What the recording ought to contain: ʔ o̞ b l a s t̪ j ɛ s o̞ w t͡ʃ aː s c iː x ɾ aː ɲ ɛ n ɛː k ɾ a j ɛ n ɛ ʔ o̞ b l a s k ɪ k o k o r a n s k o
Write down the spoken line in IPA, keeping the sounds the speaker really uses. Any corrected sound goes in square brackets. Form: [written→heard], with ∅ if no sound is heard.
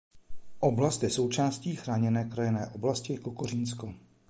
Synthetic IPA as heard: ʔ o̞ b l a s t̪ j ɛ s o̞ w t͡ʃ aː s c iː x ɾ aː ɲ ɛ n ɛː k ɾ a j ɛ n [ɛ→ɛː] ʔ o̞ b l a s [k→c] ɪ k o k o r [a→i] n s k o